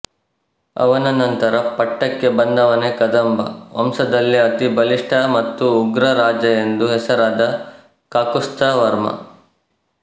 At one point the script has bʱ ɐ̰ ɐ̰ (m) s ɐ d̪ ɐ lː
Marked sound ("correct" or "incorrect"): correct